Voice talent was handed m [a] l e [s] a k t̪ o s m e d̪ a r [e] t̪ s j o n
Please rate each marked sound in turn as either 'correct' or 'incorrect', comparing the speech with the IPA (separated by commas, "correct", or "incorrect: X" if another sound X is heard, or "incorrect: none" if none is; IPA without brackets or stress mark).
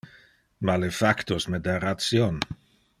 correct, incorrect: f, incorrect: a